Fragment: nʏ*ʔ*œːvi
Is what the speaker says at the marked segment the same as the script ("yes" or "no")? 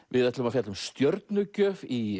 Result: no